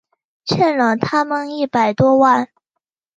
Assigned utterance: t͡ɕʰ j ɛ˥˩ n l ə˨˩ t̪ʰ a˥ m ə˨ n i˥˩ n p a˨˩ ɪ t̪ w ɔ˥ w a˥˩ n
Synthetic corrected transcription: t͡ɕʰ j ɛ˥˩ n l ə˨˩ t̪ʰ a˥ m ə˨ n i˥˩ p a˨˩ ɪ t̪ w ɔ˥ w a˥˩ n